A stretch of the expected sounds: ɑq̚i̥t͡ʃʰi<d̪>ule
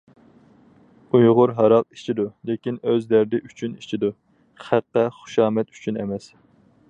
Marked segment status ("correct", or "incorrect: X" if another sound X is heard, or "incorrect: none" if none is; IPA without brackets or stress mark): correct